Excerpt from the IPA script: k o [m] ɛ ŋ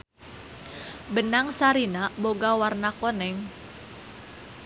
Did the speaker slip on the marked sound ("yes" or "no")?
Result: yes